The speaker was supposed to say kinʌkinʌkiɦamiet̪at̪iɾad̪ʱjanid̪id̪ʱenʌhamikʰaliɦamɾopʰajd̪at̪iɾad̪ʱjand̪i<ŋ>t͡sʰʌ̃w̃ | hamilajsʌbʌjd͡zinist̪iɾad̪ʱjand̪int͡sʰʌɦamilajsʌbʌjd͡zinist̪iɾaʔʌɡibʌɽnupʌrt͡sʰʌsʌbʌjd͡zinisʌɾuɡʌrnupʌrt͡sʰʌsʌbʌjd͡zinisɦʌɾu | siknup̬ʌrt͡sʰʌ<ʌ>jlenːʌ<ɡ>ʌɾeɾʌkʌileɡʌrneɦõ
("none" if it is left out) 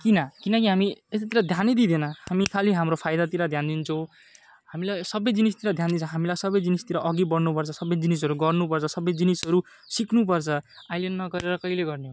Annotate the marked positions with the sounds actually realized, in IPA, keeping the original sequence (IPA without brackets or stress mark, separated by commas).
n, a, ɡ